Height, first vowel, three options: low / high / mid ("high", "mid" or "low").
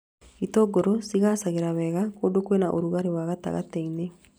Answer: high